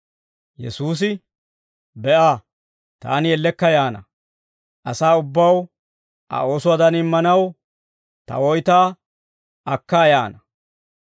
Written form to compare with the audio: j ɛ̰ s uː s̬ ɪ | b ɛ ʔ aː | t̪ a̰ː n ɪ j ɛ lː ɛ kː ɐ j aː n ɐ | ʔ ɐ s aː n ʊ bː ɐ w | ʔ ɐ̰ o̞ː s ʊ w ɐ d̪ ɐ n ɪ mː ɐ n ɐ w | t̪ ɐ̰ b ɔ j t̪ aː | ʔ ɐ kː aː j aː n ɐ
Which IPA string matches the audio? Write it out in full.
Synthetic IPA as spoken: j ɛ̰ s uː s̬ ɪ | b ɛ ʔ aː | t̪ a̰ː n ɪ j ɛ lː ɛ kː ɐ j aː n ɐ | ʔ ɐ s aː ʊ bː ɐ w | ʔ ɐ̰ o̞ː s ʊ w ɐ d̪ ɐ n ɪ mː ɐ n ɐ w | t̪ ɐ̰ w ɔ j t̪ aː | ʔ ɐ kː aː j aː n ɐ